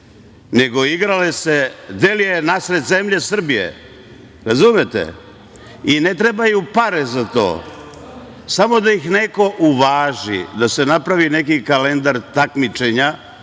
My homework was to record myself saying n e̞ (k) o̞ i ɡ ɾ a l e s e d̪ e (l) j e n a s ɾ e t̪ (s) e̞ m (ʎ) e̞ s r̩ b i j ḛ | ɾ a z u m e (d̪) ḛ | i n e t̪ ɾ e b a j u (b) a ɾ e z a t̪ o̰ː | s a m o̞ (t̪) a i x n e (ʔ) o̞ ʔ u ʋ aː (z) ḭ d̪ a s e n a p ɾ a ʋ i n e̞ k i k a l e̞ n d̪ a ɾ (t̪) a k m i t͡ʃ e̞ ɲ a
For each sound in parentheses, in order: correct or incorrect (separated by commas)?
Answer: incorrect, correct, incorrect, correct, incorrect, incorrect, incorrect, incorrect, incorrect, correct